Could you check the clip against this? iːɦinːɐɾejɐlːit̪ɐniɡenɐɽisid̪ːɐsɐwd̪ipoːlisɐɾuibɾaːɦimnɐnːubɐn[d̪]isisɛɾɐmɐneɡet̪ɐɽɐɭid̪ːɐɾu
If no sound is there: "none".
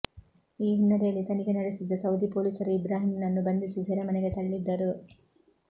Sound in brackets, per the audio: d̪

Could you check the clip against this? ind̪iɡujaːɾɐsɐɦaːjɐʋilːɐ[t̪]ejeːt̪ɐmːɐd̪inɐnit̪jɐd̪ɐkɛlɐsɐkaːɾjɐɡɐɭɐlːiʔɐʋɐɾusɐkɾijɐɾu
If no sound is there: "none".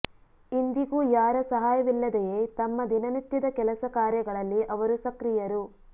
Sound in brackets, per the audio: d̪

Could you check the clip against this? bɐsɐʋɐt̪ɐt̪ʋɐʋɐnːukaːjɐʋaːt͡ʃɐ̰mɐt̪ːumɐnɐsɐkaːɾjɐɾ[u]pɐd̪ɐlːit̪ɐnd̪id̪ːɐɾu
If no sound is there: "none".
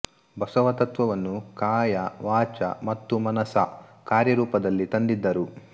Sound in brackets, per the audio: uː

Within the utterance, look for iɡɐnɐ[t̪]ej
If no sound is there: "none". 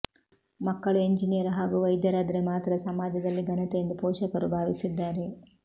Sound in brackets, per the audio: t̪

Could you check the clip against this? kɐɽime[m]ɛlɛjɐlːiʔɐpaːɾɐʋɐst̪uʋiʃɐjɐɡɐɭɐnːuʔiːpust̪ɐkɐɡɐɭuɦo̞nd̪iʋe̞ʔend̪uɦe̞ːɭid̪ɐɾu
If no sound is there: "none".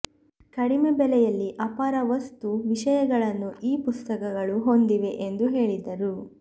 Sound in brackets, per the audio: b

